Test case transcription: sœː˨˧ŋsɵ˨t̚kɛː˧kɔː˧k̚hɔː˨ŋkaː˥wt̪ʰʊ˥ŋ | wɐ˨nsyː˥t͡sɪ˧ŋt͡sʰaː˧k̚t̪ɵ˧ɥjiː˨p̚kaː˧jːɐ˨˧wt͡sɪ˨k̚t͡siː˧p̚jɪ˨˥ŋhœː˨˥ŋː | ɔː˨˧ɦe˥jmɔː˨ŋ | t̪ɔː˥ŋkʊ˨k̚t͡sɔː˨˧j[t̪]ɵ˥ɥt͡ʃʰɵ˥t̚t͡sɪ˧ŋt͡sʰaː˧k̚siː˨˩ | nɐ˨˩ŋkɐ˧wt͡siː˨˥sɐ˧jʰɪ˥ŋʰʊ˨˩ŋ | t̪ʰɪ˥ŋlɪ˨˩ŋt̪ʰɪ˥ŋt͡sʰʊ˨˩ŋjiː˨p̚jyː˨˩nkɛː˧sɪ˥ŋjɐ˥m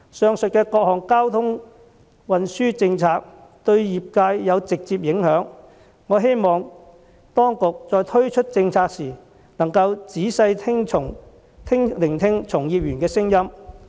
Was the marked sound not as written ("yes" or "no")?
yes